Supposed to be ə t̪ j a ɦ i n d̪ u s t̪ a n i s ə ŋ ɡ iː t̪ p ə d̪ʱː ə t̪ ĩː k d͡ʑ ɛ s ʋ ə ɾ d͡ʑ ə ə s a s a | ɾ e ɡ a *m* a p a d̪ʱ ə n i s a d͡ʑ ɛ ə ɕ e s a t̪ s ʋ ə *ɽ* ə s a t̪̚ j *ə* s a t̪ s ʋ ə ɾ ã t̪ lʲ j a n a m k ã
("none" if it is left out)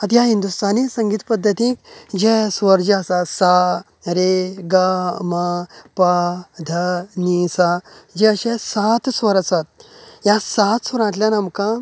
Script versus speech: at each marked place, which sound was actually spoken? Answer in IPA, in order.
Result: m, ɾ, a

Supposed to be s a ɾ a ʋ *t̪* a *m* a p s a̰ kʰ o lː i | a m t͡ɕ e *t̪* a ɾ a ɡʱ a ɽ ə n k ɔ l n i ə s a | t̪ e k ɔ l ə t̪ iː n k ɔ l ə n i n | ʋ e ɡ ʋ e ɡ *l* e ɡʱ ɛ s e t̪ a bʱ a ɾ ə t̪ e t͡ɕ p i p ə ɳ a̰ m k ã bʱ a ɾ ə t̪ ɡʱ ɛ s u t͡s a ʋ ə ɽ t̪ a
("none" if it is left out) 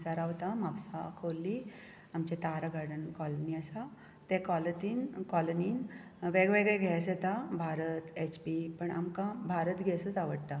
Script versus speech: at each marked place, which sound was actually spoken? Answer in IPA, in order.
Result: t̪, m, t̪, ɭ

